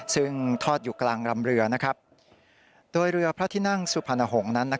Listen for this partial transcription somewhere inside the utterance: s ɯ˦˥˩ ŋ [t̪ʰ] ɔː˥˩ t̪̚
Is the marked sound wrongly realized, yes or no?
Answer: no